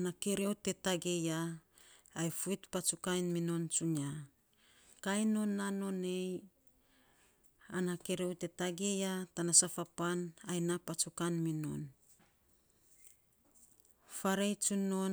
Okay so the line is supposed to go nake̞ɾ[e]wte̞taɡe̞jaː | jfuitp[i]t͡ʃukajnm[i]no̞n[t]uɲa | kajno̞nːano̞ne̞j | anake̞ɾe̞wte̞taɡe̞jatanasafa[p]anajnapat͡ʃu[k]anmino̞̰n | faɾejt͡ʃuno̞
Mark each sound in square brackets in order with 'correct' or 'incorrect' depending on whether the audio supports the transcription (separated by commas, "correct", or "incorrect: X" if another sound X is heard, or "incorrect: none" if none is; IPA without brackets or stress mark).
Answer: correct, incorrect: a, correct, incorrect: t͡ʃ, correct, correct